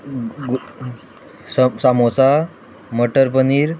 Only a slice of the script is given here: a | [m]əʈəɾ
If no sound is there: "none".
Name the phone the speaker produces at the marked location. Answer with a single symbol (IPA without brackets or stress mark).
m